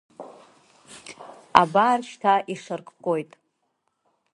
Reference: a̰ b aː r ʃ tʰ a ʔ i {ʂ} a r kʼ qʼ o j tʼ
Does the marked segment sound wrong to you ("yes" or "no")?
no